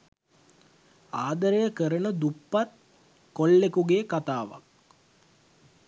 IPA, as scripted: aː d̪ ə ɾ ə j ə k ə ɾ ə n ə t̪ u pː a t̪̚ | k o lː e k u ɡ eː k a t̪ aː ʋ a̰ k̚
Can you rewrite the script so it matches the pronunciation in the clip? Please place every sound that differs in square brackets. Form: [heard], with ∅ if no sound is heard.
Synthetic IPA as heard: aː d̪ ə ɾ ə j ə k ə ɾ ə n ə [d̪] u pː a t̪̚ | k o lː e k u ɡ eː k a t̪ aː ʋ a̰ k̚